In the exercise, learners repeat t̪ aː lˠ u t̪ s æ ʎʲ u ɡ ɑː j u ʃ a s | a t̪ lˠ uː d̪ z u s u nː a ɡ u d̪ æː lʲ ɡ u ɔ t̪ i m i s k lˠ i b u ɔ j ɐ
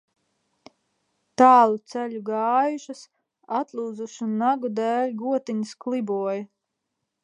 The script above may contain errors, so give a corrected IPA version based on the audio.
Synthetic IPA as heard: t̪ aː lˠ u t̪ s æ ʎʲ u ɡ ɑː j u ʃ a s | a t̪ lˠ uː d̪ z u ʃ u nː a ɡ u d̪ æː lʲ ɡ u ɔ t̪ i ɲ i s k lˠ i b u ɔ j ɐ